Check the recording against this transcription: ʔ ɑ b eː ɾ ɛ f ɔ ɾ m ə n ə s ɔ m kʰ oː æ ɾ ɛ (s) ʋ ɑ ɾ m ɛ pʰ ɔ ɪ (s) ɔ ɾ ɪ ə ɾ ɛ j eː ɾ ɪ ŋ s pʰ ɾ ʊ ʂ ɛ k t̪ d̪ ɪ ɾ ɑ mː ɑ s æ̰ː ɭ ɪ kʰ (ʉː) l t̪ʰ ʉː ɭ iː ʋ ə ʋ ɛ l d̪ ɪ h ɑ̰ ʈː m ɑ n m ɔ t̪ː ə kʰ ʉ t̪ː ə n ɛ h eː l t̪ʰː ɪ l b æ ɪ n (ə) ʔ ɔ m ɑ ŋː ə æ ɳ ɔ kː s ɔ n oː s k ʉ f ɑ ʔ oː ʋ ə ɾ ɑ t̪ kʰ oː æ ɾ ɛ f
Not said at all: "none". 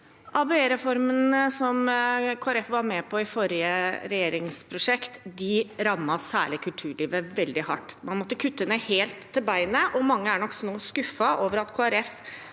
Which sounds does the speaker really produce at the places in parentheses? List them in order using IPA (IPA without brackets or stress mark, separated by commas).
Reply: f, f, ʉ, ə